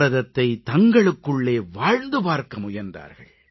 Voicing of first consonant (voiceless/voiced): voiced